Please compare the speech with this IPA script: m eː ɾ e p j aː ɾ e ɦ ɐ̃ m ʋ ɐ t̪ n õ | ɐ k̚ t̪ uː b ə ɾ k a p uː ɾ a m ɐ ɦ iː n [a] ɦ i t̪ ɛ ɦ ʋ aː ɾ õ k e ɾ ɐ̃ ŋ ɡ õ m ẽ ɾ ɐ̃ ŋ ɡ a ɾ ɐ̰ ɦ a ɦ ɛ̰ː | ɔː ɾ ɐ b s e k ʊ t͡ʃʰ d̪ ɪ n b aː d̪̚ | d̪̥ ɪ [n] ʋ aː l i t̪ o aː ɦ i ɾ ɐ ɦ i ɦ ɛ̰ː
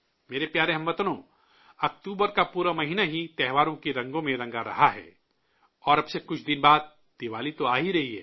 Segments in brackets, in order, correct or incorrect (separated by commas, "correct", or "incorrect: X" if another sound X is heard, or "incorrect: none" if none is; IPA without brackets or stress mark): correct, incorrect: none